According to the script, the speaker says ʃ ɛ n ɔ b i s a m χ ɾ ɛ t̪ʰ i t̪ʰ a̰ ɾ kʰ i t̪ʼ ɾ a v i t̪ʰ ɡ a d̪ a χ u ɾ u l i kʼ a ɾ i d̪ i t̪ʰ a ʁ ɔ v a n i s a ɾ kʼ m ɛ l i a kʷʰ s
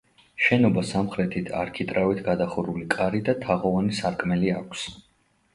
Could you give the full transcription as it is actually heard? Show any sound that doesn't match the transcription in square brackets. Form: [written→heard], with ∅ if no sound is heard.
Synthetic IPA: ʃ ɛ n ɔ b [i→a] s a m χ ɾ ɛ t̪ʰ i t̪ʰ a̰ ɾ kʰ i t̪ʼ ɾ a v i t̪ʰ ɡ a d̪ a χ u ɾ u l i kʼ a ɾ i d̪ [i→a] t̪ʰ a ʁ ɔ v a n i s a ɾ kʼ m ɛ l i a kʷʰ s